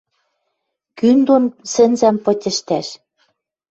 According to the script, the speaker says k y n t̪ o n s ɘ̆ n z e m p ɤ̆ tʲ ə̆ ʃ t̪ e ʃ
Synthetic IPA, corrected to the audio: k y n d̪ o n s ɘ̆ n z æ m p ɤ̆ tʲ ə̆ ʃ t̪ æ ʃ